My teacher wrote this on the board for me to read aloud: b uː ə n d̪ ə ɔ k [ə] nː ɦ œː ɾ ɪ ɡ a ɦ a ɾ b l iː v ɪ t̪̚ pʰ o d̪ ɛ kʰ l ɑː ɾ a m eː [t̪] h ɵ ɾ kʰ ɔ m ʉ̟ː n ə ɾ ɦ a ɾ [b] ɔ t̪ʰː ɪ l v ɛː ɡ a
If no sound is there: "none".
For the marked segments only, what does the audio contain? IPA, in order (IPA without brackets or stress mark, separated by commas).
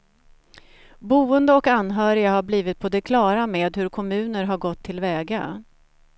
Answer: a, d̪, ɡ